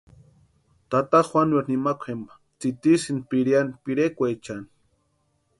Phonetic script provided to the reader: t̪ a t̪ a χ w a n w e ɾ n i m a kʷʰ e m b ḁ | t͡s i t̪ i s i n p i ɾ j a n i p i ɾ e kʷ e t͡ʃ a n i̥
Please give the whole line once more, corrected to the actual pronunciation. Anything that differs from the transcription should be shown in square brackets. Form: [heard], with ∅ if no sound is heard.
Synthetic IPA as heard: t̪ a t̪ a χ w a n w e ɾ n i m a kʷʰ e m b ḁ | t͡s i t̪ i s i n p i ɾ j a n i p i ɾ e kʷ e t͡ʃ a n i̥